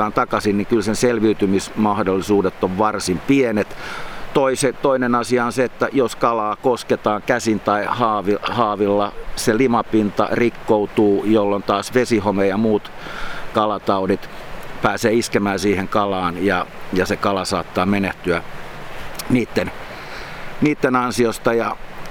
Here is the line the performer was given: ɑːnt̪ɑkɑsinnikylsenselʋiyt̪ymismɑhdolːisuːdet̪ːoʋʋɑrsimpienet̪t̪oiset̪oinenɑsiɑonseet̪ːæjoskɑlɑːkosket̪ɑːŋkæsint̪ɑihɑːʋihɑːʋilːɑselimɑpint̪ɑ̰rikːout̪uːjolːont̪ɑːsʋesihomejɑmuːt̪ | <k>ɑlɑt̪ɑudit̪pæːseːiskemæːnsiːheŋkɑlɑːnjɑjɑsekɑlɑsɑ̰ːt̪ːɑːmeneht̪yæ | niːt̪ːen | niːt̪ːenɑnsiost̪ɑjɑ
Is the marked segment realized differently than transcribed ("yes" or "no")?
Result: no